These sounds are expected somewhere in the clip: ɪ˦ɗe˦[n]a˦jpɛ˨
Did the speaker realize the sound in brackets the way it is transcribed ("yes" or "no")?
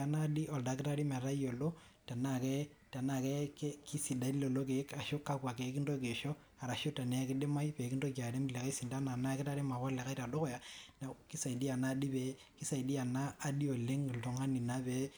no